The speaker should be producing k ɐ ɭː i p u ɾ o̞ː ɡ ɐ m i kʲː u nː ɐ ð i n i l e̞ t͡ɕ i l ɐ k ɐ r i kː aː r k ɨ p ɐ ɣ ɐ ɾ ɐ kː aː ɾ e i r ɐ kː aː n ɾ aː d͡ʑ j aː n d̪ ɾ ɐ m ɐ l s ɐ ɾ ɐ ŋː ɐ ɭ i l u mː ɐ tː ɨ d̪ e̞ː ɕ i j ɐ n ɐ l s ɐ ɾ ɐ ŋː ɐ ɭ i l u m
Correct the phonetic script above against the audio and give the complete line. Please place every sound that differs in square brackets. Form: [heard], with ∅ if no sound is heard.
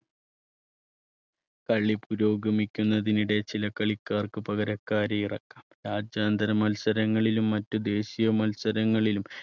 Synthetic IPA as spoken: k ɐ ɭː i p u ɾ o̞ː ɡ ɐ m i kʲː u nː ɐ ð i n i [ɽ] e̞ t͡ɕ i l ɐ k ɐ [ɭ] i kː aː r k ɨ p ɐ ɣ ɐ ɾ ɐ kː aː ɾ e i r ɐ kː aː [m] ɾ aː d͡ʑ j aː n d̪ ɾ ɐ m ɐ l s ɐ ɾ ɐ ŋː ɐ ɭ i l u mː ɐ tː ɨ d̪ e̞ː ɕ i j ɐ [m] ɐ l s ɐ ɾ ɐ ŋː ɐ ɭ i l u m